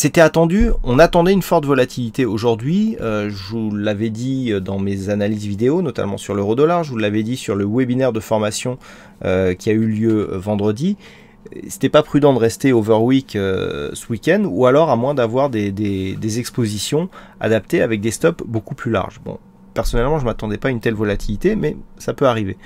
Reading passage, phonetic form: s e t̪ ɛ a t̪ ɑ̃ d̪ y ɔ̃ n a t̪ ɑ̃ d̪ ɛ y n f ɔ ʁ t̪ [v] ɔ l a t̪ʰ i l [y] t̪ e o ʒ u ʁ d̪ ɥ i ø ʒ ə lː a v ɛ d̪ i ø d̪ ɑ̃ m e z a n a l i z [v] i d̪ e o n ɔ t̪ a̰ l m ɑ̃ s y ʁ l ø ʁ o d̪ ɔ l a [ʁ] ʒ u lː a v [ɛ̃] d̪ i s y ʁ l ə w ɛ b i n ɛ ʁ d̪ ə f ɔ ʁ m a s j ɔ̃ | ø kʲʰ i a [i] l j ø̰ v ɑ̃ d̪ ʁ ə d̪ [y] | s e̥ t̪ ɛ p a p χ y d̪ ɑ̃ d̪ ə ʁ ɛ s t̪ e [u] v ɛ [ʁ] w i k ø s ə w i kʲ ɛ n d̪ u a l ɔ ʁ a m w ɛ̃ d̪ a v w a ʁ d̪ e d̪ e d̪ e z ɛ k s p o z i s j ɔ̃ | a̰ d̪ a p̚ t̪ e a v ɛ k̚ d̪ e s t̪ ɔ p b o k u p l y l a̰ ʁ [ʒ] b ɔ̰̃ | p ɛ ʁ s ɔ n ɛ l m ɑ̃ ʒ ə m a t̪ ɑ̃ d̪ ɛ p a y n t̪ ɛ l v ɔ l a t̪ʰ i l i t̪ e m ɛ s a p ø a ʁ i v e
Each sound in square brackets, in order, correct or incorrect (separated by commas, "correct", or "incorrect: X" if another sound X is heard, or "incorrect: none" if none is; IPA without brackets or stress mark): correct, incorrect: i, correct, correct, incorrect: ɛ, incorrect: y, incorrect: i, incorrect: o, correct, correct